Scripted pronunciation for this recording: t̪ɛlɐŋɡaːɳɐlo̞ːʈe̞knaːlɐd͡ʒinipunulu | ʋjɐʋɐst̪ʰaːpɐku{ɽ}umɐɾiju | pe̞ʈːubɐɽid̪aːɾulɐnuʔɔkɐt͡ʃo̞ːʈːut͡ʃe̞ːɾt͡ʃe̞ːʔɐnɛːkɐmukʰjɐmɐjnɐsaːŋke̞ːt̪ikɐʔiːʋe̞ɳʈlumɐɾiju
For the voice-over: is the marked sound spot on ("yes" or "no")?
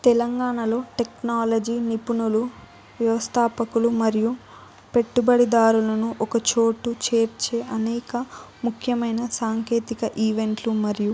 no